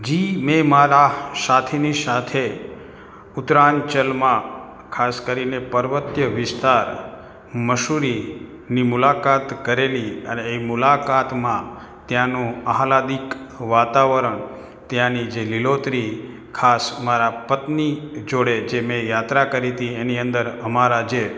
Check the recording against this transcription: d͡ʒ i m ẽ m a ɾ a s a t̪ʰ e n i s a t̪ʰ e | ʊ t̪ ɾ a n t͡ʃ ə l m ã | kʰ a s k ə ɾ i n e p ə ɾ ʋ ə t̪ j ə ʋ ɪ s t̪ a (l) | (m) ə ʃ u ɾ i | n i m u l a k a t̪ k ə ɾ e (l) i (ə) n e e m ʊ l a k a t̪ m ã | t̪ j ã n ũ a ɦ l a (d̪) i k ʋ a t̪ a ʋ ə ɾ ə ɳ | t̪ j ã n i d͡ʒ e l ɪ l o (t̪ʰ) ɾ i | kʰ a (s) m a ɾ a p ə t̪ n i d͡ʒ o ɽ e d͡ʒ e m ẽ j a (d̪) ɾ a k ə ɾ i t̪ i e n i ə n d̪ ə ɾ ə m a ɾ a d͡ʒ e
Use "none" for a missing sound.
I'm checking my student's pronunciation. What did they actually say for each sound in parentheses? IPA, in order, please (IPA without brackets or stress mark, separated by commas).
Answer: ɾ, m, l, ə, d̪, t̪, s, t̪